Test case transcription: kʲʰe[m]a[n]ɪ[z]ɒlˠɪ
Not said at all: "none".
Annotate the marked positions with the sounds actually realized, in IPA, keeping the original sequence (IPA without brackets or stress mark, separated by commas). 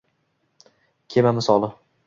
m, m, s